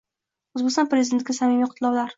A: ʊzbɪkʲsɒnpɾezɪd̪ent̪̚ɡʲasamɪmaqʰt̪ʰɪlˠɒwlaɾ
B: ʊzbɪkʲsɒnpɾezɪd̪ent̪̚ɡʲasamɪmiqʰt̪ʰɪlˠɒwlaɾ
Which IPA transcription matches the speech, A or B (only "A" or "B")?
B